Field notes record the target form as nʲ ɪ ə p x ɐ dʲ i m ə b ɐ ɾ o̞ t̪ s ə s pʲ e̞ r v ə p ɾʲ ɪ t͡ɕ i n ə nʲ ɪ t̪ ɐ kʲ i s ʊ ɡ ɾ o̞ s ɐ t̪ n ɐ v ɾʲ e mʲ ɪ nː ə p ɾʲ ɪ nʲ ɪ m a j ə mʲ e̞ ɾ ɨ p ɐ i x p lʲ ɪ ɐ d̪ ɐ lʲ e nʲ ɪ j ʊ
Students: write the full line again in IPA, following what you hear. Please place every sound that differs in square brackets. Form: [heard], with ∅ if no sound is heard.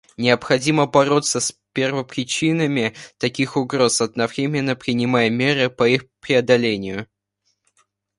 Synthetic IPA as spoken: nʲ ɪ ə p x ɐ dʲ i m ə b ɐ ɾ o̞ t̪ s ə s pʲ e̞ r v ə p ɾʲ ɪ t͡ɕ i n ə [mʲ] ɪ t̪ ɐ kʲ i [x] ʊ ɡ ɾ o̞ s ɐ [d̪] n ɐ v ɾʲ e mʲ ɪ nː ə p ɾʲ ɪ nʲ ɪ m a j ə mʲ e̞ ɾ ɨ p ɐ i x p [ɾʲ] ɪ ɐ d̪ ɐ lʲ e nʲ ɪ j ʊ